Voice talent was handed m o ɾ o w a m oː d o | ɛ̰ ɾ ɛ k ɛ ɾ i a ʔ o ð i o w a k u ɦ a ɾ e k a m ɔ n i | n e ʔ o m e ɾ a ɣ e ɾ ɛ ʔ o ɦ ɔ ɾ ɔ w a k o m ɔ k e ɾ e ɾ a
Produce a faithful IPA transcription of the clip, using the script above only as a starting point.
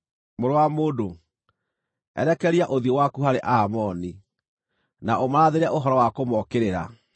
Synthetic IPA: m o ɾ o w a m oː d o | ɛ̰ ɾ ɛ k ɛ ɾ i a ʔ o ð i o w a k u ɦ a ɾ e ʔ a m ɔ n i | n a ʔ o m a ɾ a ð e ɾ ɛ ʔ o ɦ ɔ ɾ ɔ w a k o m ɔ k e ɾ e ɾ a